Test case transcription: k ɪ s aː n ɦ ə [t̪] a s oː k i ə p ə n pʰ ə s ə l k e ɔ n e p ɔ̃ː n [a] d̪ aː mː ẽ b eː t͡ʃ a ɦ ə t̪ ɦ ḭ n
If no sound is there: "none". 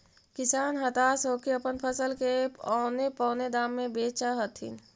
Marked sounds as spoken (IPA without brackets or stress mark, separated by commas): t̪, e